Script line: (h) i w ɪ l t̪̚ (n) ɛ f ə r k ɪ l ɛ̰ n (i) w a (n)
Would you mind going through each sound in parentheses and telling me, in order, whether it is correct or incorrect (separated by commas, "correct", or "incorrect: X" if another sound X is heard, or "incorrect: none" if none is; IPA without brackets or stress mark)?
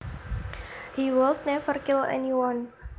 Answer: correct, correct, correct, correct